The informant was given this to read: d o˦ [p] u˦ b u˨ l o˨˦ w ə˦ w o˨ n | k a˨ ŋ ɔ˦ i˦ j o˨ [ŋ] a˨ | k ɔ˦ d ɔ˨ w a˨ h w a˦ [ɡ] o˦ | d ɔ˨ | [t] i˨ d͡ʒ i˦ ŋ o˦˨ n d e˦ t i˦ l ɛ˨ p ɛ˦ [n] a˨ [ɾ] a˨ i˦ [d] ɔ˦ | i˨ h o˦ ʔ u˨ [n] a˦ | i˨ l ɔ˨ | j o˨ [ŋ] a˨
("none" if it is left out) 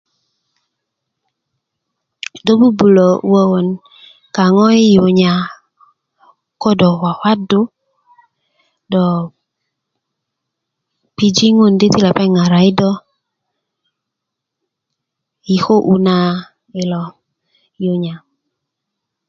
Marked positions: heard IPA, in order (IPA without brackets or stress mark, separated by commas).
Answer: b, ɲ, d, p, ŋ, ɾ, d, n, ɲ